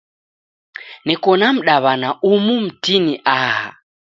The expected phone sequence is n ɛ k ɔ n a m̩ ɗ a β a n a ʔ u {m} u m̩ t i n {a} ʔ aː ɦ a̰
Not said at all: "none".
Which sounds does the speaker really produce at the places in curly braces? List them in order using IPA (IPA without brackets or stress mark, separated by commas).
m, i